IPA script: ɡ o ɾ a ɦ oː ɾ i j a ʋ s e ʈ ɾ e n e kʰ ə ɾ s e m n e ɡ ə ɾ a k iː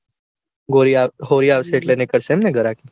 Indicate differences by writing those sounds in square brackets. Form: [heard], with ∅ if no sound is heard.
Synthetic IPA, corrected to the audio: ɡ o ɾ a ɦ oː ɾ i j a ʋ s e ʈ [l] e n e [k] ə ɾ s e m n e ɡ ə ɾ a k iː